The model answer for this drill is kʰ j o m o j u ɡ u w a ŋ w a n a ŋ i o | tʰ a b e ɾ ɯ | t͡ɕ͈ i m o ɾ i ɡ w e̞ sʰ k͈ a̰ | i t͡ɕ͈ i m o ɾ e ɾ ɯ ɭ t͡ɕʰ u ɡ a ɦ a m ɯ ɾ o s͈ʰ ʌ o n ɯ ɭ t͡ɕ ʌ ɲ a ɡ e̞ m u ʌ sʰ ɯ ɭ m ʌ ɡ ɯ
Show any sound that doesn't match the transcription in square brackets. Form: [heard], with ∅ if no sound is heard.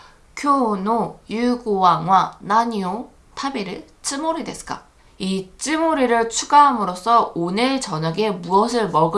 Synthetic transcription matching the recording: kʰ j o [n] o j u ɡ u w a ŋ w a n a [ɲ] i o | tʰ a b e ɾ ɯ | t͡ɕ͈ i m o ɾ i [d] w e̞ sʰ k͈ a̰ | i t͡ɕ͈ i m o ɾ [i] ɾ ɯ ɭ t͡ɕʰ u ɡ a ɦ a m ɯ ɾ o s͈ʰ ʌ o n ɯ ɭ t͡ɕ ʌ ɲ a ɡ e̞ m u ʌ sʰ ɯ ɭ m ʌ ɡ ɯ